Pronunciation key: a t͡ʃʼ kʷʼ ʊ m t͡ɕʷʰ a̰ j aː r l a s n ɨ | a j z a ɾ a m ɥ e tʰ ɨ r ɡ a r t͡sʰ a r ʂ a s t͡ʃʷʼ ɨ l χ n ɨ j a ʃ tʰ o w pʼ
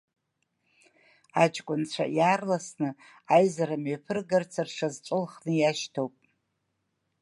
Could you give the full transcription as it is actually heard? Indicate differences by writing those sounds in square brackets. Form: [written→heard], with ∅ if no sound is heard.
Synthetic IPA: a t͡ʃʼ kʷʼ ʊ [m→n] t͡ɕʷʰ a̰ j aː r l a s n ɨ | a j z a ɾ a m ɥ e [tʰ→pʰ] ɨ r ɡ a r t͡sʰ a r ʂ a [s→z] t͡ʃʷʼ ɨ l χ n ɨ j a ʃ tʰ o w pʼ